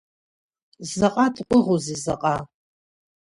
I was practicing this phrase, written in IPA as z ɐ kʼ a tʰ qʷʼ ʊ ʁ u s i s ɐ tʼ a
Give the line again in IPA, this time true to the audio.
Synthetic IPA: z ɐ qʼ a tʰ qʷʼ ʊ ʁ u z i z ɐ qʼ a